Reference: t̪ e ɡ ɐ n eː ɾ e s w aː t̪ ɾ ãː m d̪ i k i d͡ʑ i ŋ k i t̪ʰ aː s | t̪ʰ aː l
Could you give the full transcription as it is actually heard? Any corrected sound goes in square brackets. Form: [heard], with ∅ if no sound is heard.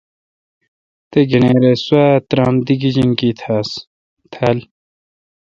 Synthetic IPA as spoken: t̪ e ɡ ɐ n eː ɾ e s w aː t̪ ɾ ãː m d̪ i [ɡ] i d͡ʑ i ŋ k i t̪ʰ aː s | t̪ʰ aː l